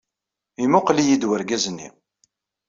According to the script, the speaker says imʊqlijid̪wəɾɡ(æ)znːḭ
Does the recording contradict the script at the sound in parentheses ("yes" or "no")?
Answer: no